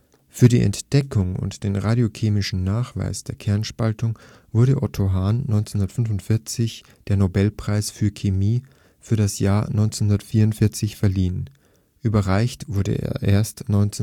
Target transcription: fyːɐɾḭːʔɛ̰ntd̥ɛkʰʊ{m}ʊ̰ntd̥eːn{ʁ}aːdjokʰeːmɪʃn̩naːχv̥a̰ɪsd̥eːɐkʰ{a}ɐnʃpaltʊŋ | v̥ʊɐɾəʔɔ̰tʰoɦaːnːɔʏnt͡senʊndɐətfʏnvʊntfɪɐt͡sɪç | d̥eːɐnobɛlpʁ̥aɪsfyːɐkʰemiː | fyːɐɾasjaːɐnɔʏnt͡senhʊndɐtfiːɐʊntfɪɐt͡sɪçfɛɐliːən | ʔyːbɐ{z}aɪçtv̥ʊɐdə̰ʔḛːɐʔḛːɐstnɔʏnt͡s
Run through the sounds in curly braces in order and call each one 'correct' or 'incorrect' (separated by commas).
incorrect, correct, incorrect, incorrect